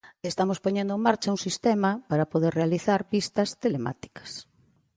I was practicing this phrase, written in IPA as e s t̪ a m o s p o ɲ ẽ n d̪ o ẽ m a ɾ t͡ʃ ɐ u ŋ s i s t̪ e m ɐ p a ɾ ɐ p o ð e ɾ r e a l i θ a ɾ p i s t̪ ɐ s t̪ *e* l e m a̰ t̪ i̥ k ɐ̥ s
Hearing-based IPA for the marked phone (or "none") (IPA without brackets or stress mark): e